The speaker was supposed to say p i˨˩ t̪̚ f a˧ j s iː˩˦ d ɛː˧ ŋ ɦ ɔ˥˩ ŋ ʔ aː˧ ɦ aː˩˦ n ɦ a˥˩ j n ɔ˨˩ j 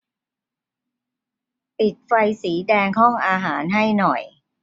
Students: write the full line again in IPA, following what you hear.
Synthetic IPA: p i˨˩ t̪̚ f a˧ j s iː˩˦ d ɛː˧ ŋ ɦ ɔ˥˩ ŋ ʔ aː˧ ɦ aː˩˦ n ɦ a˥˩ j n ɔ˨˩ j